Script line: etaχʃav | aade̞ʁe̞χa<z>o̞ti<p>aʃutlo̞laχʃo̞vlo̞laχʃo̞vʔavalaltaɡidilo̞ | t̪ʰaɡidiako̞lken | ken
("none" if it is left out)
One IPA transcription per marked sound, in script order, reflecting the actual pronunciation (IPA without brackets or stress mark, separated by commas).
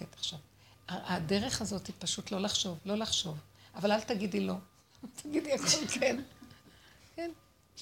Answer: z, p